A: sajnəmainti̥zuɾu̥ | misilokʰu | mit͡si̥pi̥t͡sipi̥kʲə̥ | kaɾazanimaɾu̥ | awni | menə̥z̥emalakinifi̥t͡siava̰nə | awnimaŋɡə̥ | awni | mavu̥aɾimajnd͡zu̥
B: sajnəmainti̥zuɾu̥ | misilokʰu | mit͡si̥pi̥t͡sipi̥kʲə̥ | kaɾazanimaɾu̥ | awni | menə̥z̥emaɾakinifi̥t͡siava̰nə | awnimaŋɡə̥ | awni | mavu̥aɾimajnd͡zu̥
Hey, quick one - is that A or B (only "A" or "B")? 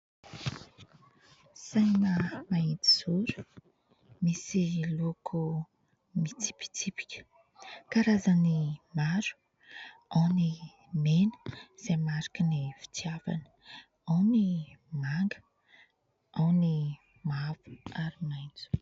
B